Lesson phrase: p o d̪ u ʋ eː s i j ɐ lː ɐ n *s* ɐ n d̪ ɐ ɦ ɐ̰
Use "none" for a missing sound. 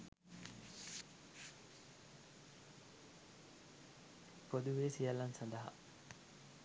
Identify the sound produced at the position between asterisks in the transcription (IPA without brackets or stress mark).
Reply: s